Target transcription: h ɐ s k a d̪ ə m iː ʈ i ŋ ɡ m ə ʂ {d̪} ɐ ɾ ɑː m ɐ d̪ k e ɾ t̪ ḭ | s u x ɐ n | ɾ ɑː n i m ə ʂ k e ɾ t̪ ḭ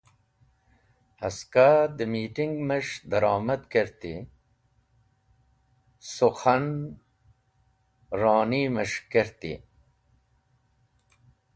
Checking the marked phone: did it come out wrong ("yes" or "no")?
no